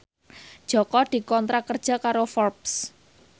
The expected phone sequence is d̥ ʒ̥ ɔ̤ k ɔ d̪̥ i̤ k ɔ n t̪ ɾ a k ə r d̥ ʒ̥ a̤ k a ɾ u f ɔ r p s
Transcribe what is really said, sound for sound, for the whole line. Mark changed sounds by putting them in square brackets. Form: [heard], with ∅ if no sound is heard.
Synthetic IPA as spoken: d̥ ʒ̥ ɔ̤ k ɔ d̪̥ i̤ k ɔ n t̪ ɾ a k ə r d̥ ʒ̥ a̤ k a ɾ [o] f ɔ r p s